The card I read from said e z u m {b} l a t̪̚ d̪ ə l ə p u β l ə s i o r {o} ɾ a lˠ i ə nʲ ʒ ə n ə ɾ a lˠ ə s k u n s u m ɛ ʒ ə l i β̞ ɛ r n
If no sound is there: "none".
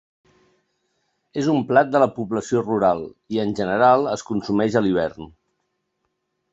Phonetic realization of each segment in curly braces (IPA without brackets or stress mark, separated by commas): p, u